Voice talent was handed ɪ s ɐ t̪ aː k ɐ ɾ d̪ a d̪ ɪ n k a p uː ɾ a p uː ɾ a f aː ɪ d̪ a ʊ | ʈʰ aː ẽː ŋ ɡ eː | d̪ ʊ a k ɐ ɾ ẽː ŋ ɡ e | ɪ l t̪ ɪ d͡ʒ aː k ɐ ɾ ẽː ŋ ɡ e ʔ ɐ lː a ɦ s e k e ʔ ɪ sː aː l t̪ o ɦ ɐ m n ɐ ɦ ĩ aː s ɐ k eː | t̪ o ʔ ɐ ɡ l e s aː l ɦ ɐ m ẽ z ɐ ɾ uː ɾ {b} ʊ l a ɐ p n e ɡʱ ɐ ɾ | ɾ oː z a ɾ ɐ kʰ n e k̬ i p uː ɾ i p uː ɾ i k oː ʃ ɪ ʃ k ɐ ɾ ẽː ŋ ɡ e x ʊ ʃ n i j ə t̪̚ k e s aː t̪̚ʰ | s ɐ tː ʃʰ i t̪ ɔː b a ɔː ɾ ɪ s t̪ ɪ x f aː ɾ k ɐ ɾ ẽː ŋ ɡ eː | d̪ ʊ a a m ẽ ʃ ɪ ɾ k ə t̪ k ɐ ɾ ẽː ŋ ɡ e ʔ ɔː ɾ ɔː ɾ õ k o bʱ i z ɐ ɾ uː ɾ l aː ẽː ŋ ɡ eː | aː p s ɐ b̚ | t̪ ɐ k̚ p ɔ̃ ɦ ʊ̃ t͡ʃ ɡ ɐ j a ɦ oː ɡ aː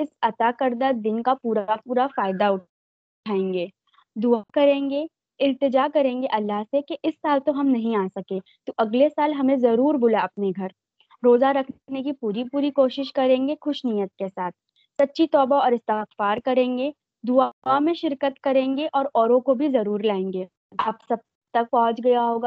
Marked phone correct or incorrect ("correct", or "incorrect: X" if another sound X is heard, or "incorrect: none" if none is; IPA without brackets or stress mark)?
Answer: correct